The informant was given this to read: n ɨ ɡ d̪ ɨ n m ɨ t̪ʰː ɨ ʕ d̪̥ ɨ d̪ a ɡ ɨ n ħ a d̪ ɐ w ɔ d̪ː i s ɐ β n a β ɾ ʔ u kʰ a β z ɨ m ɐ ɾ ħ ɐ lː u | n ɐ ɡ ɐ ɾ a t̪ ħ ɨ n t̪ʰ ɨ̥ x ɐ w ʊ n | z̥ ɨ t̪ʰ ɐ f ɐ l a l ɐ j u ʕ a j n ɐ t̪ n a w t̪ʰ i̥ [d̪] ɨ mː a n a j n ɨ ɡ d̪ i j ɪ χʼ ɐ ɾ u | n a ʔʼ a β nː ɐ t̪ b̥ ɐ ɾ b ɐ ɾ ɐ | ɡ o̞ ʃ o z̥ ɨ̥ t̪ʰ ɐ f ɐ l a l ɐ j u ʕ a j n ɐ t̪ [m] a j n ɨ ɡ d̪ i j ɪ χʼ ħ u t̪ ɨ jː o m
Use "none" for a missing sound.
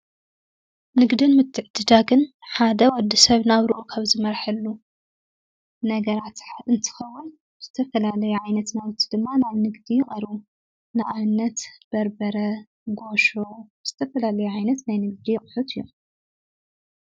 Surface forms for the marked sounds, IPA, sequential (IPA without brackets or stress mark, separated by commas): d̪, n